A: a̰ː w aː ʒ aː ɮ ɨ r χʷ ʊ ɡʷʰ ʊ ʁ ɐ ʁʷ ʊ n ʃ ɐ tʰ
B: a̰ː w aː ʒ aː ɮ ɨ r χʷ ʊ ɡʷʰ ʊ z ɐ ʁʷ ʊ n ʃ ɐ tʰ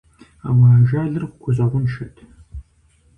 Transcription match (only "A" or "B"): B